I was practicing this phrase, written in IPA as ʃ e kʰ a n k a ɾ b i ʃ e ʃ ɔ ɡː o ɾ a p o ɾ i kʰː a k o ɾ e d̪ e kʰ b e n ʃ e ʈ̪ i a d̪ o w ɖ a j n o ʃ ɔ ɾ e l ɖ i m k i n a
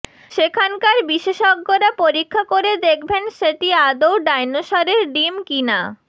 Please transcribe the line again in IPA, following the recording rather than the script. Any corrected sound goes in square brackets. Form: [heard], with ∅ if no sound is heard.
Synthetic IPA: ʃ e kʰ a n k a ɾ b i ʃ e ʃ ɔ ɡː o ɾ a p o ɾ i kʰː a k o ɾ e d̪ e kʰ b e n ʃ e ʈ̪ i a d̪ o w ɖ a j n o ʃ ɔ ɾ e [ɾ] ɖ i m k i n a